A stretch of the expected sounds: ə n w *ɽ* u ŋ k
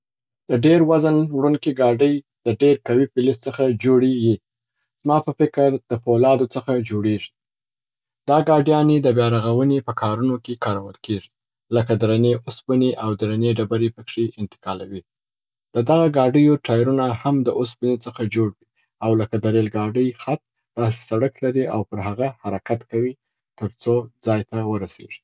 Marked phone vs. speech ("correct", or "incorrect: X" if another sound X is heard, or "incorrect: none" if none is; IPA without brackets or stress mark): correct